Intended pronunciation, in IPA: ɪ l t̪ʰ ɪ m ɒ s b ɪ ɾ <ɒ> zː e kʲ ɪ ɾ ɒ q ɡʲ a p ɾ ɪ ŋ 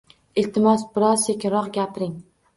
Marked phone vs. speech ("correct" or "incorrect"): correct